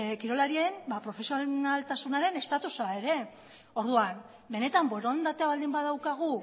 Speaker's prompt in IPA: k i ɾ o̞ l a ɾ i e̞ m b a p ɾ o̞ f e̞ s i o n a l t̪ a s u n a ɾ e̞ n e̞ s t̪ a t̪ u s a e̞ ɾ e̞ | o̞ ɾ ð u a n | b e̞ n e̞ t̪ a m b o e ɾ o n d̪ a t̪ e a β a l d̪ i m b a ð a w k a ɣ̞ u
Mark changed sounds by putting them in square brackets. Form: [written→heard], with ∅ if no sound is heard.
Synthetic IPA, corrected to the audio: k i ɾ o̞ l a ɾ i e̞ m b a p ɾ o̞ f e̞ s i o n a l t̪ a s u n a ɾ e̞ n e̞ s t̪ a t̪ u s a e̞ ɾ e̞ | o̞ ɾ ð u a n | b e̞ n e̞ t̪ a m b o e ɾ o n d̪ a t̪ e a β a l d̪ i m b a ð a w k a ɣ̞ u

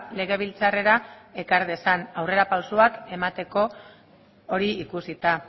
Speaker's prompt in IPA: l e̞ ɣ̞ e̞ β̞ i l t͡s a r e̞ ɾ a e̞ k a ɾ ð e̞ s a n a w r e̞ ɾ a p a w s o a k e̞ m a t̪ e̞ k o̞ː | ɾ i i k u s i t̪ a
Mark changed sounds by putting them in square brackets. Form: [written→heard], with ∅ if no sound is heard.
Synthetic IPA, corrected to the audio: l e̞ ɣ̞ e̞ β̞ i l t͡s a r e̞ ɾ a e̞ k a ɾ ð e̞ s a n a w r e̞ ɾ a p a w s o a k e̞ m a t̪ e̞ k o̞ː | ɾ i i k u s i t̪ a

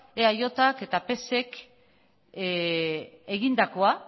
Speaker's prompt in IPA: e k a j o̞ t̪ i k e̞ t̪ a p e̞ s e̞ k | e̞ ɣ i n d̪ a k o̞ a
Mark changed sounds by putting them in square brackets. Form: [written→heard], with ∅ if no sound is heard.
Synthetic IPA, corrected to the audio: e [k→∅] a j o̞ t̪ [i→a] k e̞ t̪ a p e̞ s e̞ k | e̞ ɣ i n d̪ a k o̞ a

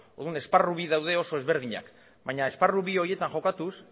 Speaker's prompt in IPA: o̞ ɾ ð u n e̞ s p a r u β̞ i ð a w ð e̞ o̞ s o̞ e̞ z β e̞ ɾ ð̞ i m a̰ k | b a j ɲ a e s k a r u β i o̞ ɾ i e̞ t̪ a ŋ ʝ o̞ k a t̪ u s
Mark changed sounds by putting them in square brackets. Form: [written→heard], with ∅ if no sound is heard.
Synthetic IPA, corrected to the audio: o̞ ɾ ð u n e̞ s p a r u β̞ i ð a w ð e̞ o̞ s o̞ e̞ z β e̞ ɾ ð̞ i [m→ɲ] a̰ k | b a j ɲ a e s [k→p] a r u β i o̞ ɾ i e̞ t̪ a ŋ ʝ o̞ k a t̪ u s

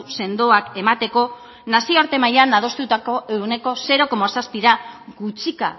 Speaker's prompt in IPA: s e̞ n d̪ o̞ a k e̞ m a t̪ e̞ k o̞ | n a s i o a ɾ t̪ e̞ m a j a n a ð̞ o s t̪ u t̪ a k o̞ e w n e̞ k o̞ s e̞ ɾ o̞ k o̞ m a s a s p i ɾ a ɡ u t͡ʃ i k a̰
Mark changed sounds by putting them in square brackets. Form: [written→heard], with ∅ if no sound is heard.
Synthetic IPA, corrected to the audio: s e̞ n d̪ o̞ a k e̞ m a t̪ e̞ k o̞ | n a s i o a ɾ t̪ e̞ m a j a n a ð̞ o s t̪ u t̪ a k o̞ e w n e̞ k o̞ s e̞ ɾ o̞ k o̞ m a s a s p i ɾ a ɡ u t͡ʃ i k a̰

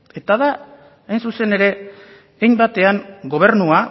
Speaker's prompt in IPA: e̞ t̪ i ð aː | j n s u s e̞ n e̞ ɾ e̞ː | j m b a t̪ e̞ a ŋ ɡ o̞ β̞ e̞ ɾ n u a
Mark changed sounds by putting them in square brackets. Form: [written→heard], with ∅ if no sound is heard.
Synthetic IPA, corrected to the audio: e̞ t̪ [i→a] ð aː | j n s u s e̞ n e̞ ɾ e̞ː | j m b a t̪ e̞ a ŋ ɡ o̞ β̞ e̞ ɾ n u a

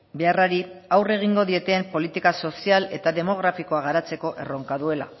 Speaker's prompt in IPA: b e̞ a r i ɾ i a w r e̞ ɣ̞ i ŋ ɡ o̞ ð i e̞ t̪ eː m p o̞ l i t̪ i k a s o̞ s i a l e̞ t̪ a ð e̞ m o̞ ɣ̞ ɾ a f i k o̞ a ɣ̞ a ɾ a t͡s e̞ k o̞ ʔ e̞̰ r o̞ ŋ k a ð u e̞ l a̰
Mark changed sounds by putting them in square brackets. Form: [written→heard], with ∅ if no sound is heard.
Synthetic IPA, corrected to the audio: b e̞ a r [i→a] ɾ i a w r e̞ ɣ̞ i ŋ ɡ o̞ ð i e̞ t̪ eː m p o̞ l i t̪ i k a s o̞ s i a l e̞ t̪ a ð e̞ m o̞ ɣ̞ ɾ a f i k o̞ a ɣ̞ a ɾ a t͡s e̞ k o̞ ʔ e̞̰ r o̞ ŋ k a ð u e̞ l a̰

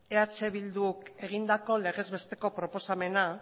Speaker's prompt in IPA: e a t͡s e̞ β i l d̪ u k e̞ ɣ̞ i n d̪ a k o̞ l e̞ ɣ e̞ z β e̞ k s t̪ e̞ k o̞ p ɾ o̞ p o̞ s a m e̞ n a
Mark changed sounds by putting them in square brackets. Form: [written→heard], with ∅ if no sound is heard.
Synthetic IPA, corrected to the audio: e a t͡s e̞ β i l d̪ u k e̞ ɣ̞ i n d̪ a k o̞ l e̞ ɣ e̞ z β e̞ [k→∅] s t̪ e̞ k o̞ p ɾ o̞ p o̞ s a m e̞ n a

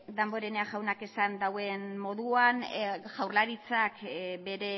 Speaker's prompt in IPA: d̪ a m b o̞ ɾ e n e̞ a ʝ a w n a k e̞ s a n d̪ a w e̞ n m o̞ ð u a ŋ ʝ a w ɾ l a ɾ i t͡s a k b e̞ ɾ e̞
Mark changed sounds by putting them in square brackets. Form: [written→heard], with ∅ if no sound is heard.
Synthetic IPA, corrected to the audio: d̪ a m b o̞ ɾ e n e̞ a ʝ a w n a k e̞ s a n d̪ a w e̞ n m o̞ ð u a [ŋ→n] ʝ a w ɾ l a ɾ i t͡s a k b e̞ ɾ e̞

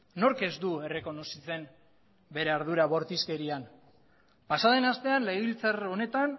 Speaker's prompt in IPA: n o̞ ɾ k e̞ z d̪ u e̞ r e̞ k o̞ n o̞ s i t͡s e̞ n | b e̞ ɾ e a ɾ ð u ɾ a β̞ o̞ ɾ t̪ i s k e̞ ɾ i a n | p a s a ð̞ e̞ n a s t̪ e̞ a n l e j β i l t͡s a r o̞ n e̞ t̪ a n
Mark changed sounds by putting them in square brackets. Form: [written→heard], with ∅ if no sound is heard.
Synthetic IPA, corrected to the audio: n o̞ ɾ k e̞ z d̪ u e̞ r e̞ k o̞ n o̞ s i t͡s e̞ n | b e̞ ɾ e a ɾ ð u ɾ a β̞ o̞ ɾ t̪ i s k e̞ ɾ i a n | p a s a ð̞ e̞ n a s t̪ e̞ a n l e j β i l t͡s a r o̞ n e̞ t̪ a n

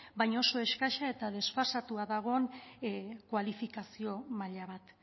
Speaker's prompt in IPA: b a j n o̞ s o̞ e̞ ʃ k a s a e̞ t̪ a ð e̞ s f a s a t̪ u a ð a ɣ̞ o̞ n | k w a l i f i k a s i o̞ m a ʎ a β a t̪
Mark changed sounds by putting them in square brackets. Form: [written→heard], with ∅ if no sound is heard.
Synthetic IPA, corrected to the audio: b a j [n→ɲ] o̞ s o̞ e̞ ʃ k a [s→ʃ] a e̞ t̪ a ð e̞ s f a s a t̪ u a ð a ɣ̞ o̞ n | k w a l i f i k a s i o̞ m a ʎ a β a t̪

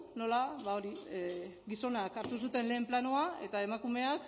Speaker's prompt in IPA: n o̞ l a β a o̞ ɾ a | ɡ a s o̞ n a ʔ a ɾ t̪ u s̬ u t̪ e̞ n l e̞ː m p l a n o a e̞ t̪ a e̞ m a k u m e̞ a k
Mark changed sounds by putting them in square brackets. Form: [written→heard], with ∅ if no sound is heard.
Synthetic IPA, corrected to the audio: n o̞ l a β a o̞ ɾ [a→i] | ɡ [a→i] s o̞ n a [ʔ→k] a ɾ t̪ u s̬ u t̪ e̞ n l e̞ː m p l a n o a e̞ t̪ a e̞ m a k u m e̞ a k

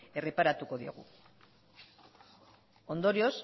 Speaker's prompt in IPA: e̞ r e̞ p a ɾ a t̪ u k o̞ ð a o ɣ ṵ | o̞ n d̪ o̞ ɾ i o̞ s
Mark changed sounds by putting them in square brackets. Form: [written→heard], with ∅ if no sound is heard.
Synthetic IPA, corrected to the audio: e̞ r e̞ p a ɾ a t̪ u k o̞ ð [a→i] o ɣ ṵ | o̞ n d̪ o̞ ɾ i o̞ s

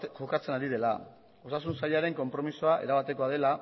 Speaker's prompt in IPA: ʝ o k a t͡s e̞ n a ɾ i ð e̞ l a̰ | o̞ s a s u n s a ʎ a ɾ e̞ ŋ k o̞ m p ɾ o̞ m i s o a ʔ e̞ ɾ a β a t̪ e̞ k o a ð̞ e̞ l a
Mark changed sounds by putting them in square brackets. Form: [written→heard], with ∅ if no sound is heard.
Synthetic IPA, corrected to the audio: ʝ o k a t͡s e̞ n a ɾ i ð e̞ l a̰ | o̞ s a s u n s a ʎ a ɾ e̞ ŋ k o̞ m p ɾ o̞ m i s o a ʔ e̞ ɾ a β a t̪ e̞ k o a ð̞ e̞ l a

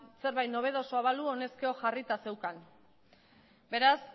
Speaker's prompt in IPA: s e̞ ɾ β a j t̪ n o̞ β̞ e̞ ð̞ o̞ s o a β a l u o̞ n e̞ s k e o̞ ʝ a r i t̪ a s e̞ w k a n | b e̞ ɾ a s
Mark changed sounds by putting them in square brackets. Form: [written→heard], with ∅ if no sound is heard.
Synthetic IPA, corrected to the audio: s e̞ ɾ β a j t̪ n o̞ β̞ e̞ ð̞ o̞ s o a β a l u o̞ n e̞ s k e o̞ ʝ a r i t̪ a s e̞ w k a n | b e̞ ɾ a s

